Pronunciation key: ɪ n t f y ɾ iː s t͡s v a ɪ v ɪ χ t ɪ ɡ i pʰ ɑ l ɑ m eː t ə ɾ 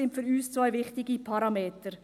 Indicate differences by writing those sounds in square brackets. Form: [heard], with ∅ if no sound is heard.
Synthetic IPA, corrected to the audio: ɪ n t f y ɾ [yː] s t͡s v a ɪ v ɪ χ t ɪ ɡ i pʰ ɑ [ɾ] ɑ m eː t ə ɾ

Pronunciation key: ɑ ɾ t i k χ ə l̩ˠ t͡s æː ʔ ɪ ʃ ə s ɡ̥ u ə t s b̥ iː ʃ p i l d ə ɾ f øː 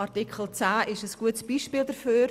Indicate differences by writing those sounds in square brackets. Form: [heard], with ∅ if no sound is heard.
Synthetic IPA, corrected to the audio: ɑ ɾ t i k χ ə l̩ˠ t͡s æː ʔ ɪ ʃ ə s ɡ̥ u ə t s b̥ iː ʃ p [iː] l d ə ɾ f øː

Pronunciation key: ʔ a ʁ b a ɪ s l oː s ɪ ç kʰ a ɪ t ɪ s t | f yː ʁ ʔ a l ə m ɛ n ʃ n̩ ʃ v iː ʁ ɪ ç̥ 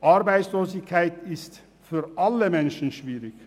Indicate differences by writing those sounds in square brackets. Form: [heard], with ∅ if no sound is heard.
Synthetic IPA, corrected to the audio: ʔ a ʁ b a ɪ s l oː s ɪ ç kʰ a ɪ t ɪ s t | f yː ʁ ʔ a l ə m ɛ n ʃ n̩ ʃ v iː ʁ ɪ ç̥

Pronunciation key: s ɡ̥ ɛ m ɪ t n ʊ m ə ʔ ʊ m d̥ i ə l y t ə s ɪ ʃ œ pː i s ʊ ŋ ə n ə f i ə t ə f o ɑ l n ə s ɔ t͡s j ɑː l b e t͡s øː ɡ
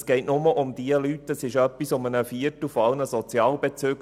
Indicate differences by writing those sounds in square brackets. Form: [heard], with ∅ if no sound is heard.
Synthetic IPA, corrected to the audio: s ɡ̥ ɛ [∅] ɪ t n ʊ m ə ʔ ʊ m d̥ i ə l y t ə s ɪ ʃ œ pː i s ʊ [m] ə n ə f i ə t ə f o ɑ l n ə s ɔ t͡s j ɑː l b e t͡s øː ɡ

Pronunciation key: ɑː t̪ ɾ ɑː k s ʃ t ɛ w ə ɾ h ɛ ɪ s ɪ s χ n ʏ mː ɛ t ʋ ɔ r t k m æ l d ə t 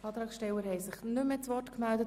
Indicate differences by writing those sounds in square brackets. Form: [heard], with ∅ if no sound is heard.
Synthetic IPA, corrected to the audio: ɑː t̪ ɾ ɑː k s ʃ t ɛ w ə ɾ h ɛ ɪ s ɪ [∅] χ n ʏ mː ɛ [t͡s] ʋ ɔ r t k m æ l d ə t

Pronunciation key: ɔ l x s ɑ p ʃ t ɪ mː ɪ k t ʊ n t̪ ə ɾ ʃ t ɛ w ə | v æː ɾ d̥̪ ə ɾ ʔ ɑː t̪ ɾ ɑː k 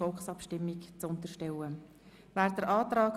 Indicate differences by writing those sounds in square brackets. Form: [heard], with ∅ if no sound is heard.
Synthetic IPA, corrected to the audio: ɔ l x s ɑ p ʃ t ɪ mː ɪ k [t͡s] ʊ n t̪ ə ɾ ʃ t ɛ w ə | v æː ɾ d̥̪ ə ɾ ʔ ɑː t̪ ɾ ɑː k

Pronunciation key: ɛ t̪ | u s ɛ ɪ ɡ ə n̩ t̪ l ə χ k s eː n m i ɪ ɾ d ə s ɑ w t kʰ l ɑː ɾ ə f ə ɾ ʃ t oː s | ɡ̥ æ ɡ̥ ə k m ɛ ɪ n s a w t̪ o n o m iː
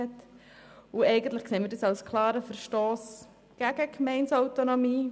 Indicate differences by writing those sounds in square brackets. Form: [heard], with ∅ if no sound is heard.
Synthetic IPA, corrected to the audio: ɛ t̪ | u [∅] ɛ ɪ ɡ ə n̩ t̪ l ə χ k s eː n m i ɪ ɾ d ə s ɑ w [s] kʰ l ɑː ɾ ə f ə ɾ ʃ t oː s | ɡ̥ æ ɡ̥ ə k m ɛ ɪ n s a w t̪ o n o m iː

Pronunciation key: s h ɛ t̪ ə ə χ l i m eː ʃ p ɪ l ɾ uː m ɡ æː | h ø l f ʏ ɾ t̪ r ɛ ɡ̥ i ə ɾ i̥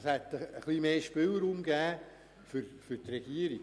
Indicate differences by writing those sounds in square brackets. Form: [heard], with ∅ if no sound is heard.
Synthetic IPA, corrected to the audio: s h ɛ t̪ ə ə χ l i m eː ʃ p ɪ l ɾ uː m ɡ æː | [f] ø [ɾ] f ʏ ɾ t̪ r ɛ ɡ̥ i ə ɾ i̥

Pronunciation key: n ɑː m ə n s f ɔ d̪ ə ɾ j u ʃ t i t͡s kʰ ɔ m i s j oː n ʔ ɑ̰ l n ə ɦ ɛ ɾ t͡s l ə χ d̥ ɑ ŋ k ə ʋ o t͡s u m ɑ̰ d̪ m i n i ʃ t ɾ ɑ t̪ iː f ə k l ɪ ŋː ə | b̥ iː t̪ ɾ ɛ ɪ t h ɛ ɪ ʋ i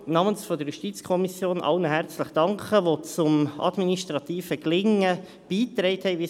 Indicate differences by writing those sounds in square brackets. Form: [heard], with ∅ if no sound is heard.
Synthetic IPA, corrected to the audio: n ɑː m ə n s f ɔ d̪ ə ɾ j u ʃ t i t͡s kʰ ɔ m i s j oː n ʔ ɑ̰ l n ə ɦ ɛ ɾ t͡s l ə χ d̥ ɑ ŋ k ə ʋ o t͡s [ʊ] m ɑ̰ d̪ m i n i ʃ t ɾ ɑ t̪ iː f ə k l ɪ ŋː ə | b̥ iː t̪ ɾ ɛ ɪ t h ɛ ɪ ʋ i

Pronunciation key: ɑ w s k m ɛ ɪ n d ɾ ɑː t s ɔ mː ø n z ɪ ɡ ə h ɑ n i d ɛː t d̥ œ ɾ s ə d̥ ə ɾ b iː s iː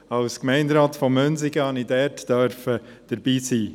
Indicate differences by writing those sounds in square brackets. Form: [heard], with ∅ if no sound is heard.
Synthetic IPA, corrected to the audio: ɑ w s k m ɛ ɪ n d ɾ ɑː t [f] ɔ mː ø n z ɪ ɡ ə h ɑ n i d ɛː t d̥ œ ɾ [f] ə d̥ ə ɾ b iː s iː

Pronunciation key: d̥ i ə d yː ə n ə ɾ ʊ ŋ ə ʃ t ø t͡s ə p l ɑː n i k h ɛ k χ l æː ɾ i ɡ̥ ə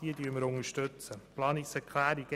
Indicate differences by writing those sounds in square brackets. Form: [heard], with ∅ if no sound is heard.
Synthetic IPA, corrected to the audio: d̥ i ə d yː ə [m] ə ɾ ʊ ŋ ə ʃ t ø t͡s ə p l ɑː n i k [s] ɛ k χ l æː ɾ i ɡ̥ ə

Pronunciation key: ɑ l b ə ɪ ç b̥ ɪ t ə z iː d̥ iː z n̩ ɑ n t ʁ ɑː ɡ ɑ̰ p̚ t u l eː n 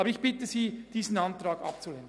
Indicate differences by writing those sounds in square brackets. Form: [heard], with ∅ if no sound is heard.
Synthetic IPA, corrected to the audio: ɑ [∅] b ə ɪ ç b̥ ɪ t ə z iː d̥ iː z n̩ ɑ n t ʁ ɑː ɡ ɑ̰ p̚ [t͡s] u l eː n

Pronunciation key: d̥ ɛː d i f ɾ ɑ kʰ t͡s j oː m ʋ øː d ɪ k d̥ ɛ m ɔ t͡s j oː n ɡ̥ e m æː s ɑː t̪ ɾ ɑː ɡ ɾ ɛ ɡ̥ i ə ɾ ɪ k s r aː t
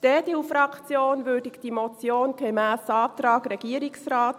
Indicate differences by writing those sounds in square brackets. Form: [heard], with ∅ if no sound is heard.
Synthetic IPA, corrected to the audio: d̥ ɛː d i f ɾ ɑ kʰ t͡s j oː [n] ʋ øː d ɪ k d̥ [i] m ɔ t͡s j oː n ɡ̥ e m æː s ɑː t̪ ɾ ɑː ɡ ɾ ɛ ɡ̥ i ə ɾ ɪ k s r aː t

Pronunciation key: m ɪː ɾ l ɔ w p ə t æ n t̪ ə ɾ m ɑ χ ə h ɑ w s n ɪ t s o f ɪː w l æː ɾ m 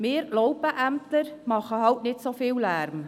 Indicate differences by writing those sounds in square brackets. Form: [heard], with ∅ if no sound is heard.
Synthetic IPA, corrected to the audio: m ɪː ɾ l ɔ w p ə [ʔ] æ [m] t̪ ə ɾ m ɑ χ ə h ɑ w [t] n ɪ t s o f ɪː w l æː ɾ m

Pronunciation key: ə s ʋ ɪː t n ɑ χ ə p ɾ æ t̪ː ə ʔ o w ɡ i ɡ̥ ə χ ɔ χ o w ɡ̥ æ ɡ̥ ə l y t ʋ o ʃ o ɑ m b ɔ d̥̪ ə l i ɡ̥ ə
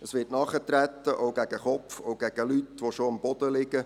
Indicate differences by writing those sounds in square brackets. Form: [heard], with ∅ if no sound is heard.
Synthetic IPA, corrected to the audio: ə s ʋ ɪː t n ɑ χ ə [t] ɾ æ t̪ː ə ʔ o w ɡ [æ] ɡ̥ ə χ ɔ [f] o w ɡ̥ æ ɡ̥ ə l y t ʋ o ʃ o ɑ m b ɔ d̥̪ ə l [ɪ] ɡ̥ ə

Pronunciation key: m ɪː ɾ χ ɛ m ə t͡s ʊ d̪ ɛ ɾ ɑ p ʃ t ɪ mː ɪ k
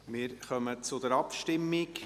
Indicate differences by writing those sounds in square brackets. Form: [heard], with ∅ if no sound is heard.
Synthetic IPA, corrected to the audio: m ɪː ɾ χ [œ] m ə t͡s ʊ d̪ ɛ ɾ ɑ p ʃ t ɪ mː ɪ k

